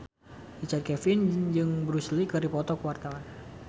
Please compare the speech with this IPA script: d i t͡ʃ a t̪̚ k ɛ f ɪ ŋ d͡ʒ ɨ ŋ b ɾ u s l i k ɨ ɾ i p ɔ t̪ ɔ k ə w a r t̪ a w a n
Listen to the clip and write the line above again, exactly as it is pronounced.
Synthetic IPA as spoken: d i t͡ʃ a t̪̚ k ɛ f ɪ n d͡ʒ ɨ ŋ b ɾ u s l i k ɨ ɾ i p ɔ t̪ ɔ k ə w a r t̪ a w a n

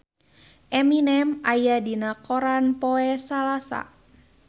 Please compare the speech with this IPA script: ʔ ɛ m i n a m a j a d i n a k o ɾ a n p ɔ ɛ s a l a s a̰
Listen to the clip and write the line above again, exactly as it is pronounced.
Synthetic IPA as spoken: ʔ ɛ m i n ɛ m a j a d i n a k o ɾ a n p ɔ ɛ s a l a s a̰

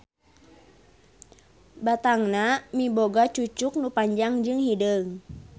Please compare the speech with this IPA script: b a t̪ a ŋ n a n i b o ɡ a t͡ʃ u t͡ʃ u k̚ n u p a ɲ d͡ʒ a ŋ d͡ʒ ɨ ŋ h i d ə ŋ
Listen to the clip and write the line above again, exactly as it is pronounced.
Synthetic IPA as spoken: b a t̪ a ŋ n a m i b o ɡ a t͡ʃ u t͡ʃ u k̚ n u p a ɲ d͡ʒ a ŋ d͡ʒ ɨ ŋ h i d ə ŋ

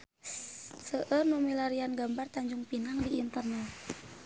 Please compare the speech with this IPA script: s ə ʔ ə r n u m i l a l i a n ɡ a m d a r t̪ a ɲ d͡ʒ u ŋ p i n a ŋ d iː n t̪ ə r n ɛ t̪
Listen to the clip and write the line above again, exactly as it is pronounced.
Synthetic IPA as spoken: s ə ʔ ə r n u m i l a ɾ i a n ɡ a m b a r t̪ a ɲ d͡ʒ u ŋ p i n a ŋ d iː n t̪ ə r n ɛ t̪

